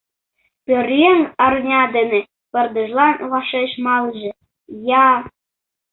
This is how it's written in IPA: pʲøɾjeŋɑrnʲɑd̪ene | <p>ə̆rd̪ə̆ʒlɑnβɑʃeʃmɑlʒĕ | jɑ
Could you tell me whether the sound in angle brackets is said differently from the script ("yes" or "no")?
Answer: no